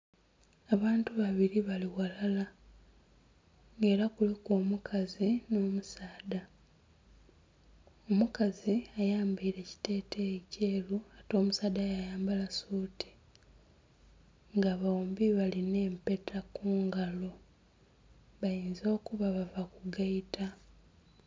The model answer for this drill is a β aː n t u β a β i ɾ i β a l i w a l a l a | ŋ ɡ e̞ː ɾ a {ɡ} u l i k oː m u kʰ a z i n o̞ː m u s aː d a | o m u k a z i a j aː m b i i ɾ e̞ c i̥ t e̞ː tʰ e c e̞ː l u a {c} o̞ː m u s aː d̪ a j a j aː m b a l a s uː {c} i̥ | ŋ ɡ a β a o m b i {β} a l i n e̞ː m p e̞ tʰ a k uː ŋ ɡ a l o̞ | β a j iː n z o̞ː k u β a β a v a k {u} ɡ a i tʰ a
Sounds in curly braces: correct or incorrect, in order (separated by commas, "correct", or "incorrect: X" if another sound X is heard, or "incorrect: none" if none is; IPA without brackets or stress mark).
incorrect: k, incorrect: t, incorrect: t, correct, correct